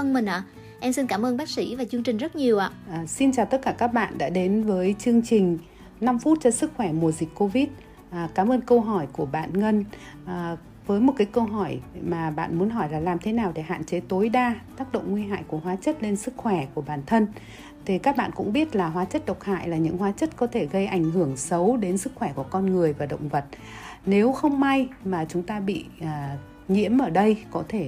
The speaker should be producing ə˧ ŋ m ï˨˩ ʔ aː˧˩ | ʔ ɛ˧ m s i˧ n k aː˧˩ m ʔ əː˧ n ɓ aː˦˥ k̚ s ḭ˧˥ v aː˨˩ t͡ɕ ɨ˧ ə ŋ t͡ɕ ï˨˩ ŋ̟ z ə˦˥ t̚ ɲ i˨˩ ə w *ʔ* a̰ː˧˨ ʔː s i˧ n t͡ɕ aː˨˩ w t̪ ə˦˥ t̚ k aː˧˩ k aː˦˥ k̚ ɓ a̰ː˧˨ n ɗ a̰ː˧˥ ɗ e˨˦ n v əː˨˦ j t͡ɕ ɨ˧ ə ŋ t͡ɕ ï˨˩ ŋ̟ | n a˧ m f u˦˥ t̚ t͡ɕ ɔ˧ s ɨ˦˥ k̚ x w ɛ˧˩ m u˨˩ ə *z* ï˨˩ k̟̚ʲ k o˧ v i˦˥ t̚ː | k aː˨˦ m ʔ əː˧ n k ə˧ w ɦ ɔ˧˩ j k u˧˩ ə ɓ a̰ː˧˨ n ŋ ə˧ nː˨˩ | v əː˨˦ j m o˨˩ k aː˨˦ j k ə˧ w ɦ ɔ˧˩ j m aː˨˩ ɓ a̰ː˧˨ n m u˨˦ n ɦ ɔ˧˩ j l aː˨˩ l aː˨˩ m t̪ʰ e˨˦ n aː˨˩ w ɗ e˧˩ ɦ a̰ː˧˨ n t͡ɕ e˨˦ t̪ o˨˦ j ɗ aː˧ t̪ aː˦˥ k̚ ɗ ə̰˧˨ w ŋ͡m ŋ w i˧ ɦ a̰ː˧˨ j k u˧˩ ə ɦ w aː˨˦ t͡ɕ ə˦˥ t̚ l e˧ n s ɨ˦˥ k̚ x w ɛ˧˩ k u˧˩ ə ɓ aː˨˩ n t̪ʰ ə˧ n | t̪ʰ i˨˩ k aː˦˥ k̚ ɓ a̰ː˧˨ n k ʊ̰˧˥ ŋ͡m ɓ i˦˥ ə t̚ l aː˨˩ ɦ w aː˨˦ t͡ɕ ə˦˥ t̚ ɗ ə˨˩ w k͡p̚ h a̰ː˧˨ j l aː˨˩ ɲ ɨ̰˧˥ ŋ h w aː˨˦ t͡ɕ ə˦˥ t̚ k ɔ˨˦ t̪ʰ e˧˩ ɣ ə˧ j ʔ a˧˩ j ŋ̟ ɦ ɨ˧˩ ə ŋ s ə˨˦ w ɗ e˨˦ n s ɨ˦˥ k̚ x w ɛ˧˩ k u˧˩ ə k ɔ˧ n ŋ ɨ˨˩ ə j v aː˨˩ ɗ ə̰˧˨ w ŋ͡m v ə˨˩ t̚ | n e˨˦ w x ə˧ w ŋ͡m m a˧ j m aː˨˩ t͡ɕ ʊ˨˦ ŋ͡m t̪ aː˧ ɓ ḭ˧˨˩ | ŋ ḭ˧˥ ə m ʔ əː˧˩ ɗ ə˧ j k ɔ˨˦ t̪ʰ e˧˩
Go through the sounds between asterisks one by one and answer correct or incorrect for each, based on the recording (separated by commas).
correct, correct